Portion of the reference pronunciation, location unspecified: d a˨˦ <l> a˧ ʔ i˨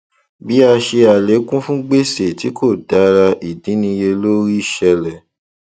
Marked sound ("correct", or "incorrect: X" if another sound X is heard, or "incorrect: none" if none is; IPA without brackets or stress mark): incorrect: ɾ